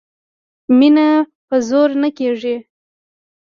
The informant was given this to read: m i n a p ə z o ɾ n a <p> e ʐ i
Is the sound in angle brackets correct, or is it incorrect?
incorrect: k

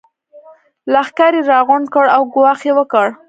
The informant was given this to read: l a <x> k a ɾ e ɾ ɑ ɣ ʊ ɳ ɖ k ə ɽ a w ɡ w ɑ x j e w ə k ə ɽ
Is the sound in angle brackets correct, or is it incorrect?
correct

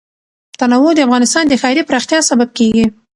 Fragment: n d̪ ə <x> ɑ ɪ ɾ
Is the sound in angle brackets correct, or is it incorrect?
correct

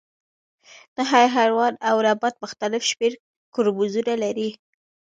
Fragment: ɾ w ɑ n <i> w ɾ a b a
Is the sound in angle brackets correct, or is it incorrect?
incorrect: a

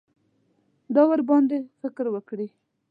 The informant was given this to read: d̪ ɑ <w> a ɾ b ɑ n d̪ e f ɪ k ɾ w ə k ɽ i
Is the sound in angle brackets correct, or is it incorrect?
correct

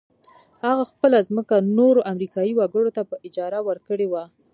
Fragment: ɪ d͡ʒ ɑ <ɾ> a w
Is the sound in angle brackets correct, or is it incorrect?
correct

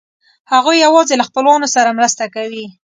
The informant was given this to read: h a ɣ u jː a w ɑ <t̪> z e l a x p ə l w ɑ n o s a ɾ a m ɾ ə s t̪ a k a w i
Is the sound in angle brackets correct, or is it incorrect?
incorrect: none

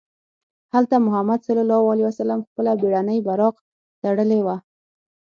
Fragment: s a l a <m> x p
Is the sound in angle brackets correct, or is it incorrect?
correct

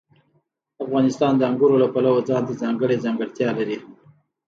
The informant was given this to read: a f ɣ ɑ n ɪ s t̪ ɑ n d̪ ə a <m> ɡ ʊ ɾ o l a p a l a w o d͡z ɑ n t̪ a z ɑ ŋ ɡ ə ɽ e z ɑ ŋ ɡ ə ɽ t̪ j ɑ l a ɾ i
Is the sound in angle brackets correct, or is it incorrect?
incorrect: ŋ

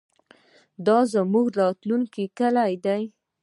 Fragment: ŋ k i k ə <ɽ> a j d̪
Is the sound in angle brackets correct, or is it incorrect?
incorrect: l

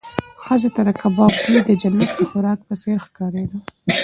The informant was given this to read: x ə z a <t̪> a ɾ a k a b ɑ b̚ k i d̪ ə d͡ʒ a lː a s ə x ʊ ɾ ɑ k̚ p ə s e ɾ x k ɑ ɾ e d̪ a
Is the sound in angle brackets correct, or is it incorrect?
correct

